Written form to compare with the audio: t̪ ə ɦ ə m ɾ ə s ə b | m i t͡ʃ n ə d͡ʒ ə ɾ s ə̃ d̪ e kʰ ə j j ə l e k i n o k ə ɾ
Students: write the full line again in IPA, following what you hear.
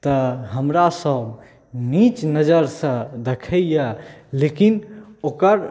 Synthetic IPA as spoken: t̪ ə ɦ ə m ɾ a s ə b | n i t͡ʃ n ə d͡ʒ ə ɾ s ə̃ d̪ e kʰ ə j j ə l e k i n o k ə ɾ